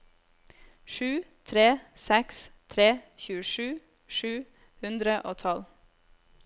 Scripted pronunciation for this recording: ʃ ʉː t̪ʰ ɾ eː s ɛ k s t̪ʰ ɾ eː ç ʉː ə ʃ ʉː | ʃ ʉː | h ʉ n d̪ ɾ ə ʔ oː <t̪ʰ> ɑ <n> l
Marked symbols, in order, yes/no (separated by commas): yes, no